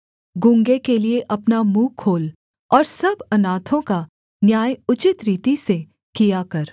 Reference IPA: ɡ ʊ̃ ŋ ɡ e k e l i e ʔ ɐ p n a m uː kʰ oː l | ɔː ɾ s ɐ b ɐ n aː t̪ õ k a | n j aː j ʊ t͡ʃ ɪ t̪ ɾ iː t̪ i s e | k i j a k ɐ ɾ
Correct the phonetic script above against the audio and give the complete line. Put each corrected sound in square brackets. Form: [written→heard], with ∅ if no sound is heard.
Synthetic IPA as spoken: ɡ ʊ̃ ŋ ɡ e k e l i e ʔ ɐ p n a m uː kʰ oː l | ɔː ɾ s ɐ b ɐ n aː [t̪→t̪ʰ] õ k a | n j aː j ʊ t͡ʃ ɪ t̪ ɾ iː t̪ i s e | k i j a k ɐ ɾ